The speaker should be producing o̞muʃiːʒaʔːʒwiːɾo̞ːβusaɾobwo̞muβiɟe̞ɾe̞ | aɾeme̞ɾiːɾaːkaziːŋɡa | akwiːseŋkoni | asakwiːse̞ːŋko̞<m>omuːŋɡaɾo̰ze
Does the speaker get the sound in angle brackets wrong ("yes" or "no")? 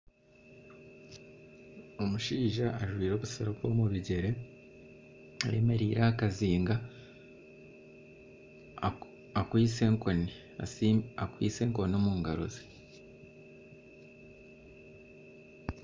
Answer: yes